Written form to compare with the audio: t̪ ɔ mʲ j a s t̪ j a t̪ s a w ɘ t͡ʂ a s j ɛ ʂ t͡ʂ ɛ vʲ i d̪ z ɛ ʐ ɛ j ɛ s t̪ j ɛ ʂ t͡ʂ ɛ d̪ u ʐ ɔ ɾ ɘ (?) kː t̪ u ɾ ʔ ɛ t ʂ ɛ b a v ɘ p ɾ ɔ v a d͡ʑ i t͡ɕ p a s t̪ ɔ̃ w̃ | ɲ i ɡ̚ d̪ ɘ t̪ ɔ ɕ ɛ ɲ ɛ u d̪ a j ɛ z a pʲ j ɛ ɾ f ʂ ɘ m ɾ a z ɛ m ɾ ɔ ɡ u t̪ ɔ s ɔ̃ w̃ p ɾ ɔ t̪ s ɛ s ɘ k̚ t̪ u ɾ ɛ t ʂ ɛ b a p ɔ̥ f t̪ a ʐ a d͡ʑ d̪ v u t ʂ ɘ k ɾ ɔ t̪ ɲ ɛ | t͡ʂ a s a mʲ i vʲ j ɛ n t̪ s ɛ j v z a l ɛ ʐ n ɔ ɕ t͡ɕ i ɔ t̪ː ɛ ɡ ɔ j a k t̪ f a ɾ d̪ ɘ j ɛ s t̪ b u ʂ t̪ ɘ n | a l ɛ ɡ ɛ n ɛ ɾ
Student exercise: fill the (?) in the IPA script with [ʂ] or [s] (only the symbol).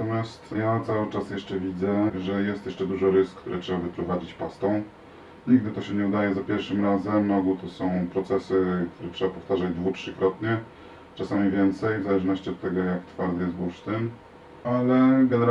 s